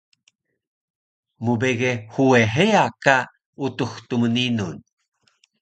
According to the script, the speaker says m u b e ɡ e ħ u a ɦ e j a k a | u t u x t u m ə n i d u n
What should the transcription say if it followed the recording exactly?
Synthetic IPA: m u b e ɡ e h u e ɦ e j a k a | u t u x t u m ə n i n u n